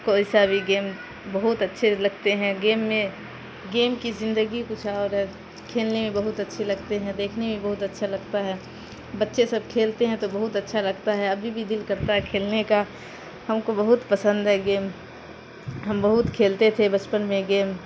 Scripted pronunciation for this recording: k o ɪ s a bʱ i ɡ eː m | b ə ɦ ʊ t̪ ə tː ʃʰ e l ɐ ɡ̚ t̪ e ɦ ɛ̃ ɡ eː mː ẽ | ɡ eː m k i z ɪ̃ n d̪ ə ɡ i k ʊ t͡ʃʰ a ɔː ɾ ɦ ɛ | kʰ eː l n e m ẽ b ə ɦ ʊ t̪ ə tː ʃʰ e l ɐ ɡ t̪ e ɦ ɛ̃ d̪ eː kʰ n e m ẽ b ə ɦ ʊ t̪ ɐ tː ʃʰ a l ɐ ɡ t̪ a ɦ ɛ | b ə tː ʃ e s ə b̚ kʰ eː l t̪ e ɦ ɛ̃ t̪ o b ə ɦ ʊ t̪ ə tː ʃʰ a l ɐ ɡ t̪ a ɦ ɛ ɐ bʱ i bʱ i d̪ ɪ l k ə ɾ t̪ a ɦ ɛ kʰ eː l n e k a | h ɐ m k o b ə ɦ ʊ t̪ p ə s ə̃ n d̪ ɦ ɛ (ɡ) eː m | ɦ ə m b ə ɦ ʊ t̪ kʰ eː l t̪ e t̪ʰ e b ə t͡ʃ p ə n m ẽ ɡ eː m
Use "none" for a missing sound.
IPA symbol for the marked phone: ɡ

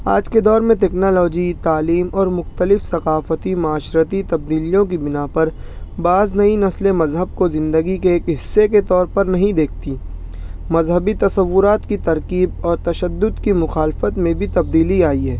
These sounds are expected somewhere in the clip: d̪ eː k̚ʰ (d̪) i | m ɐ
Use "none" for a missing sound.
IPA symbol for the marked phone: t̪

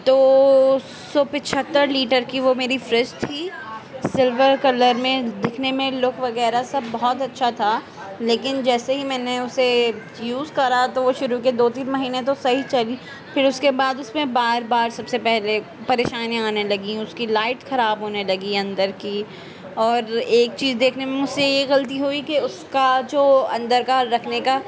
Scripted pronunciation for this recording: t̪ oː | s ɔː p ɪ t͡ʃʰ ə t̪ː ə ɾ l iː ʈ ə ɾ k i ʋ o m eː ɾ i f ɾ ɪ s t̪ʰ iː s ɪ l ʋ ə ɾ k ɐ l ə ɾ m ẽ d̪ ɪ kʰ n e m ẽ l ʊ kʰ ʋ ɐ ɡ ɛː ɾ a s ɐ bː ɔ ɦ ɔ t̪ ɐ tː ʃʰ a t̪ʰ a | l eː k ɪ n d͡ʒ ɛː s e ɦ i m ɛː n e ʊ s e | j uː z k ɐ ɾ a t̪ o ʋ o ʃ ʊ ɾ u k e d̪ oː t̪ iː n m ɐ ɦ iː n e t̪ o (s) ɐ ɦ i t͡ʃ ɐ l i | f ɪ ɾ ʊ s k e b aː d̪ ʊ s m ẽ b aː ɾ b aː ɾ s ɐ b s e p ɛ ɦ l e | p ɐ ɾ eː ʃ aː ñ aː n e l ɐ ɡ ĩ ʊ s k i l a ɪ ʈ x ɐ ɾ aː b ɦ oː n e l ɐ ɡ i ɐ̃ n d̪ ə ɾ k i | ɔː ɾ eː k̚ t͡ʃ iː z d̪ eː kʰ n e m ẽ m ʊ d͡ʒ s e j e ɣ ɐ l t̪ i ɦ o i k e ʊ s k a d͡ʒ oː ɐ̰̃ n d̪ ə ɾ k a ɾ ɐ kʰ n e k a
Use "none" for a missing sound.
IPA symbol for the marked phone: s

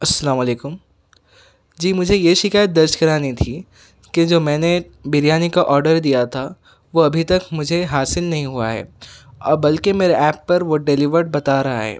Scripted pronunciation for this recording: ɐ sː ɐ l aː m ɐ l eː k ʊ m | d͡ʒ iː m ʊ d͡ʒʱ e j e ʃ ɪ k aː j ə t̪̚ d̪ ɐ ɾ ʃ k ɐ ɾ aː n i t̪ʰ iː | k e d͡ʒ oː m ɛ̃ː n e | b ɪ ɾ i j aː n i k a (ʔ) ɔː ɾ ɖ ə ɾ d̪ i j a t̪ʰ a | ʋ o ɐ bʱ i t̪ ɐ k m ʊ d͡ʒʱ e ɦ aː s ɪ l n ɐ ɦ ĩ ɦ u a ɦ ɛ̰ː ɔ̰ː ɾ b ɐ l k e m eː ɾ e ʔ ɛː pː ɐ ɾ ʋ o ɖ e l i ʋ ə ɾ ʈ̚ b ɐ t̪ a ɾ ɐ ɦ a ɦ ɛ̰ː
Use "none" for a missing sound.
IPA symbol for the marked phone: ʔ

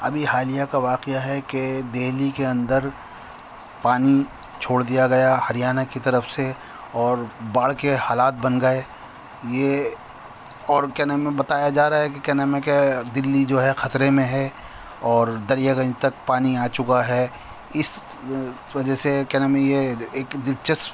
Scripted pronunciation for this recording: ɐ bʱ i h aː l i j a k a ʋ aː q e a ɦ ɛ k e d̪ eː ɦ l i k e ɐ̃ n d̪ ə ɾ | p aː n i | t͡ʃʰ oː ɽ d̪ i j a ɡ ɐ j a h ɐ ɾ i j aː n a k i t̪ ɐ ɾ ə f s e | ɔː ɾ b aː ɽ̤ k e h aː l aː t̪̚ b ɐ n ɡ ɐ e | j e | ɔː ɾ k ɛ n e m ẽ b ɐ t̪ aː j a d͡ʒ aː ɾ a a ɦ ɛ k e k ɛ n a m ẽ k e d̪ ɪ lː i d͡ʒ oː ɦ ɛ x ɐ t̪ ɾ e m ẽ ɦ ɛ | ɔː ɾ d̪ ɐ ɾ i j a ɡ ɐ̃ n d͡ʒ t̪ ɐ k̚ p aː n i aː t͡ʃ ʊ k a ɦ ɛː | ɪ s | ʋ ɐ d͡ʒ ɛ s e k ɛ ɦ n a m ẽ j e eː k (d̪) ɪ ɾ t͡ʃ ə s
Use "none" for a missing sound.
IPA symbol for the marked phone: d̪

